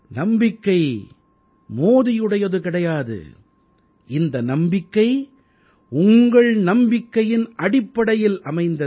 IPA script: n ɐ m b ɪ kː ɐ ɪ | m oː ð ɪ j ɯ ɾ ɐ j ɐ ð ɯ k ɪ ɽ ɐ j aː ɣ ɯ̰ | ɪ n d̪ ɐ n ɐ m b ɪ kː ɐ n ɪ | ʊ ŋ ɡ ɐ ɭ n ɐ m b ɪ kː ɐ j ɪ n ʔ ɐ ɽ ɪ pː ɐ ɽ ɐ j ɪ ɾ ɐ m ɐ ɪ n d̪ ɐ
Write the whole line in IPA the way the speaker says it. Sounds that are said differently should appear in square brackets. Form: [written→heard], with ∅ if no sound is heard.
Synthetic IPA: n ɐ m b ɪ kː ɐ ɪ | m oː ð ɪ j ɯ [ɾ→ɽ] ɐ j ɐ ð ɯ k ɪ ɽ ɐ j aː [ɣ→ð] ɯ̰ | ɪ n d̪ ɐ n ɐ m b ɪ kː ɐ [n→∅] ɪ | ʊ ŋ ɡ ɐ ɭ n ɐ m b ɪ kː ɐ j ɪ n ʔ ɐ ɽ ɪ pː ɐ ɽ ɐ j ɪ [ɾ→l] ɐ m ɐ ɪ n d̪ ɐ

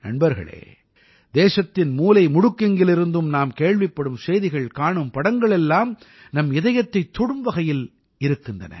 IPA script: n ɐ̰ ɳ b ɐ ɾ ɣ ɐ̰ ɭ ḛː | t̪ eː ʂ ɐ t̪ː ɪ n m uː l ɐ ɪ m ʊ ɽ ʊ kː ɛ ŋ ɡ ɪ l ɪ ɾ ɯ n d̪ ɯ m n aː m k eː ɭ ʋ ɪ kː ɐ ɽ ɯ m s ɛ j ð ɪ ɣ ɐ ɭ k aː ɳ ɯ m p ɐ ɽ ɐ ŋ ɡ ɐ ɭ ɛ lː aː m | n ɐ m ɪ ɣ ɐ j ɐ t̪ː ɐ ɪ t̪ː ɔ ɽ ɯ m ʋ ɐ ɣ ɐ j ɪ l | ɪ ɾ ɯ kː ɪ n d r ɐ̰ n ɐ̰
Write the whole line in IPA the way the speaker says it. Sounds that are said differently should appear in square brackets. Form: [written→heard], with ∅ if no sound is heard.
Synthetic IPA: n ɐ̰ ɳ b ɐ ɾ ɣ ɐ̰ ɭ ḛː | [t̪→d̪] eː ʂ ɐ t̪ː ɪ n m uː l ɐ ɪ m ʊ ɽ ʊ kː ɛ ŋ ɡ ɪ l ɪ ɾ ɯ n d̪ ɯ m n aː m k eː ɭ ʋ ɪ [kː→pː] ɐ ɽ ɯ m s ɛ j ð ɪ ɣ ɐ ɭ k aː ɳ ɯ m p ɐ ɽ ɐ ŋ ɡ ɐ ɭ ɛ lː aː m | n ɐ m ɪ [ɣ→ð] ɐ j ɐ t̪ː ɐ ɪ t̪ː ɔ ɽ ɯ m ʋ ɐ ɣ ɐ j ɪ l | ɪ ɾ ɯ kː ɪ n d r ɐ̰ n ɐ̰

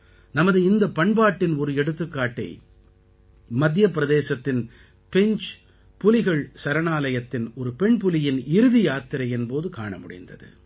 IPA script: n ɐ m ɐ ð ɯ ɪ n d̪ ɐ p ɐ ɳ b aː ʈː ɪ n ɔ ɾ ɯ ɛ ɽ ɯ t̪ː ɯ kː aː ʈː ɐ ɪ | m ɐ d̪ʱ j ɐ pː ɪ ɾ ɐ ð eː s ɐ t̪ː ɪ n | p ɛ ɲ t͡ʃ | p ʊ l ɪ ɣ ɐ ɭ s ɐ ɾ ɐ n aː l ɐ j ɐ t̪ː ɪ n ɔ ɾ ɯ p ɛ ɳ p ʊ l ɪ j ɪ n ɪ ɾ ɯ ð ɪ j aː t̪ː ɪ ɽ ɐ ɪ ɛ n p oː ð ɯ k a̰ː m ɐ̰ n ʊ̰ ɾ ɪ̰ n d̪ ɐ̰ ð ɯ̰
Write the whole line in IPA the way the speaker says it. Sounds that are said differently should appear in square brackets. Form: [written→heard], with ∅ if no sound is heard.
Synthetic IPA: n ɐ m ɐ ð ɯ ɪ n d̪ ɐ p ɐ ɳ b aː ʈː ɪ n ɔ ɾ ɯ ɛ ɽ ɯ t̪ː ɯ kː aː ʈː ɐ ɪ | m ɐ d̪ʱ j ɐ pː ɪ ɾ ɐ ð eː s ɐ t̪ː ɪ n | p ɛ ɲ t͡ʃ | p ʊ l ɪ ɣ ɐ ɭ s ɐ ɾ ɐ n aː l ɐ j ɐ t̪ː ɪ n ɔ ɾ ɯ p ɛ ɳ p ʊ l ɪ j ɪ n ɪ ɾ ɯ ð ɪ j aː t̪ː ɪ [ɽ→ɾ] ɐ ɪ ɛ n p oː ð ɯ k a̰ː [m→ɳ] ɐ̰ [n→m] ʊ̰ [ɾ→ɽ] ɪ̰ n d̪ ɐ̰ ð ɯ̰

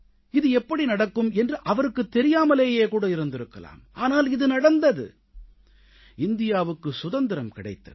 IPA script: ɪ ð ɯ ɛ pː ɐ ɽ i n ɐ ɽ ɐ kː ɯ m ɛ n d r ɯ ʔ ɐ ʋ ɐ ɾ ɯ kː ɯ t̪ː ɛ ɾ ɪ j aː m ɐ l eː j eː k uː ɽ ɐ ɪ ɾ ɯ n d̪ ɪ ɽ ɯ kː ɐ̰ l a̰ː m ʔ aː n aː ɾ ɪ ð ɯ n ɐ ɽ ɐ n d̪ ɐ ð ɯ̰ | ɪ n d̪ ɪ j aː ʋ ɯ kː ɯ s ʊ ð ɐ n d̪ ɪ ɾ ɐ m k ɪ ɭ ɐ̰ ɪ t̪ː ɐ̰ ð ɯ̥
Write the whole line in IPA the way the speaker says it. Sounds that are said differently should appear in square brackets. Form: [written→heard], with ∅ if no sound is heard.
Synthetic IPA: ɪ ð ɯ ɛ pː ɐ ɽ i n ɐ ɽ ɐ kː ɯ m ɛ n d r ɯ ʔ ɐ ʋ ɐ ɾ ɯ kː ɯ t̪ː ɛ ɾ ɪ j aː m ɐ l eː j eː k uː ɽ ɐ ɪ ɾ ɯ n d̪ ɪ [ɽ→ɾ] ɯ kː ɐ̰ l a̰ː m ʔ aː n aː [ɾ→l] ɪ ð ɯ n ɐ ɽ ɐ n d̪ ɐ ð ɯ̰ | ɪ n d̪ ɪ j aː ʋ ɯ kː ɯ s ʊ ð ɐ n d̪ ɪ ɾ ɐ m k ɪ [ɭ→ɽ] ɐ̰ ɪ t̪ː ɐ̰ ð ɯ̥

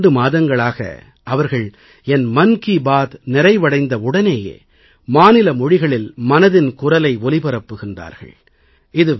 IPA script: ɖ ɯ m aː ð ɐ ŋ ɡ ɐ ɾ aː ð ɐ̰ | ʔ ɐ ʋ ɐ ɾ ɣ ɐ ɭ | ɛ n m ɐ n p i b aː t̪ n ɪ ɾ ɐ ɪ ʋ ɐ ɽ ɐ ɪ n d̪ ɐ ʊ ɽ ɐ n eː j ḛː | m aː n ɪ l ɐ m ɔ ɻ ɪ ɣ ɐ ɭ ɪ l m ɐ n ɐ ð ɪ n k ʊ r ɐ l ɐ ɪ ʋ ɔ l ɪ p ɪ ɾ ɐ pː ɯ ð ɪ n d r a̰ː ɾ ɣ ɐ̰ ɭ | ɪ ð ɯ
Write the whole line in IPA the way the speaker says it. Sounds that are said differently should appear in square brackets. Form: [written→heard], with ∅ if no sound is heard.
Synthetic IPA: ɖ ɯ m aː ð ɐ ŋ ɡ ɐ [ɾ→ɭ] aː [ð→ɣ] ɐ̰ | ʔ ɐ ʋ ɐ ɾ ɣ ɐ ɭ | ɛ n m ɐ n [p→k] i b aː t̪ n ɪ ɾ ɐ ɪ ʋ ɐ ɽ ɐ ɪ n d̪ ɐ ʊ ɽ ɐ n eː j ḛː | m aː n ɪ l ɐ m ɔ ɻ ɪ ɣ ɐ ɭ ɪ l m ɐ n ɐ ð ɪ n k ʊ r ɐ l ɐ ɪ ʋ ɔ l ɪ p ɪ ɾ ɐ pː ɯ [ð→ɣ] ɪ n d r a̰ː ɾ ɣ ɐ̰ ɭ | ɪ ð ɯ

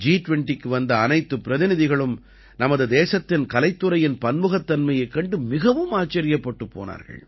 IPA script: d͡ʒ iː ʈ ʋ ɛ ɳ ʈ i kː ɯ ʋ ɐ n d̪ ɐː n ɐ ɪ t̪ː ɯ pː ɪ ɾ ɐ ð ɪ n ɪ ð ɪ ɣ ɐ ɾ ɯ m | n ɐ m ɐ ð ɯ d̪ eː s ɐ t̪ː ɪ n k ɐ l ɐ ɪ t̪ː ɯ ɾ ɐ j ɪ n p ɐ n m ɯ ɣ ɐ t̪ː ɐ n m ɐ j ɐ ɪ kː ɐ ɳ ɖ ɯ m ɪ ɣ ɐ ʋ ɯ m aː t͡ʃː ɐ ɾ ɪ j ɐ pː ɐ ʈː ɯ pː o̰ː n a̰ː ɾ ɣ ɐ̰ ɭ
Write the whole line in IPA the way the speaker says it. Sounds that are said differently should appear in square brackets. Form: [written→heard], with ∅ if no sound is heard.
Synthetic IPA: d͡ʒ iː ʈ ʋ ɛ ɳ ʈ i kː ɯ ʋ ɐ n d̪ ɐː n ɐ ɪ t̪ː ɯ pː ɪ ɾ ɐ ð ɪ n ɪ ð ɪ ɣ ɐ [ɾ→ɭ] ɯ m | n ɐ m ɐ ð ɯ d̪ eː s ɐ t̪ː ɪ n k ɐ l ɐ ɪ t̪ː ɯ ɾ ɐ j ɪ n p ɐ n m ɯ ɣ ɐ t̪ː ɐ n m ɐ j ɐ ɪ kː ɐ ɳ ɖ ɯ m ɪ ɣ ɐ ʋ ɯ m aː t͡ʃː ɐ ɾ ɪ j ɐ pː ɐ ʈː ɯ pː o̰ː n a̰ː ɾ ɣ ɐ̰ ɭ

